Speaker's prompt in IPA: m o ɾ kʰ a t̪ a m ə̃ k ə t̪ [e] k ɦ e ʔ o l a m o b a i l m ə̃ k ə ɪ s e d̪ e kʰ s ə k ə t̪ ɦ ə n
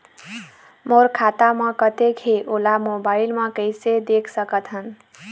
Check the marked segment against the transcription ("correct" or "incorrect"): correct